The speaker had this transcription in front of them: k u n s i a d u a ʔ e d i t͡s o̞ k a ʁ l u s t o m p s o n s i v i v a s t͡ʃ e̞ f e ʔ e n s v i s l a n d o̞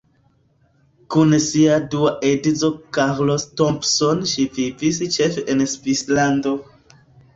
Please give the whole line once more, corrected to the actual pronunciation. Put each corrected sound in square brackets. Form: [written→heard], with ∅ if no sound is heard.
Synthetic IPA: k u n s i a d u a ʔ e d i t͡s o̞ k a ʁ l [u→o] s t o m p s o n [s→ʃ] i v i v [a→i] s t͡ʃ e̞ f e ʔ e n s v i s l a n d o̞